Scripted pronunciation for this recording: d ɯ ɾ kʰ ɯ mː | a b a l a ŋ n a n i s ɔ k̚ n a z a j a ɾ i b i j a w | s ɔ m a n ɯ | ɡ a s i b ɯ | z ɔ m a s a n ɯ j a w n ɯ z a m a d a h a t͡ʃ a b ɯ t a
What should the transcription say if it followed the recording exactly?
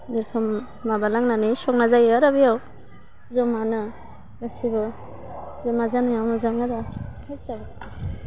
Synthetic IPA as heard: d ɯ ɾ kʰ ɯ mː | a b a l a ŋ n a n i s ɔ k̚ n a z a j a ɾ a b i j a w | z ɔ m a n ɯ | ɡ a s i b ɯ | z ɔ m a z a n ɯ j a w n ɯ z a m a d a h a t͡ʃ a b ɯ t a